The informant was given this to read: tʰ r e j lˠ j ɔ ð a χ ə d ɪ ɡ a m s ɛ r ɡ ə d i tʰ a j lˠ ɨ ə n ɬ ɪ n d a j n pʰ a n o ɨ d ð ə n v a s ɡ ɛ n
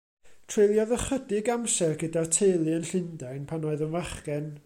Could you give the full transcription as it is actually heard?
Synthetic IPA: tʰ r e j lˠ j ɔ ð ə χ ə d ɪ ɡ a m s ɛ r ɡ ə d a tʰ e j lˠ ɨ ə n ɬ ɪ n d a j n pʰ a n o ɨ ð ə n v a χ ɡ ɛ n